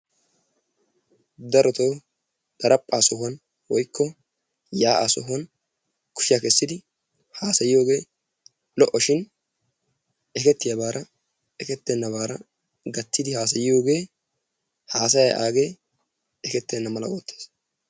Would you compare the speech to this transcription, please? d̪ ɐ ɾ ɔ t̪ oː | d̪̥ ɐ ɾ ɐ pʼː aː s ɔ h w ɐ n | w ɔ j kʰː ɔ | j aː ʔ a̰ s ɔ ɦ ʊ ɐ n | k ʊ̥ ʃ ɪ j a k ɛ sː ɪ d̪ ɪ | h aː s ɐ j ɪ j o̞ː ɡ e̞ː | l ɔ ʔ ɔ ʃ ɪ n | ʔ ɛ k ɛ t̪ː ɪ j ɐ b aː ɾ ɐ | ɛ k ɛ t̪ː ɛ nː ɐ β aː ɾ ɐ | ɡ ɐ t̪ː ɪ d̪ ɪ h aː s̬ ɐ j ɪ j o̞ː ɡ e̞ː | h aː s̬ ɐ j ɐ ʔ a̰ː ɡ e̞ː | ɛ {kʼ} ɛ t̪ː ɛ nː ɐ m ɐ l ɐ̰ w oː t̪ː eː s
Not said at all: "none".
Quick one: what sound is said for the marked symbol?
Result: k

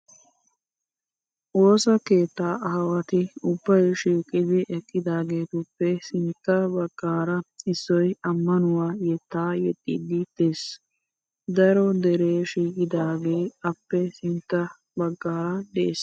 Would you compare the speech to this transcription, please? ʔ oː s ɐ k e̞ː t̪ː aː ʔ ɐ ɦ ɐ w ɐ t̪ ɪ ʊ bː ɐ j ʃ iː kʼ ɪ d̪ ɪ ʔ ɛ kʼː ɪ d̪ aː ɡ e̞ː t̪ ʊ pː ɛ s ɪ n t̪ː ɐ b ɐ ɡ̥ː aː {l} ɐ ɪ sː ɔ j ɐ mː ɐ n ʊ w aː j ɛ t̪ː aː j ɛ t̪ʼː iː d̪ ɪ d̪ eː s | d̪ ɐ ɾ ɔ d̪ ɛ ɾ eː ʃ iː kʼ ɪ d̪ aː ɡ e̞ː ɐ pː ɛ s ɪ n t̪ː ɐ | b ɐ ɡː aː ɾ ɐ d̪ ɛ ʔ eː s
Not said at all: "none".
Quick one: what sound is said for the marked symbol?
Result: ɾ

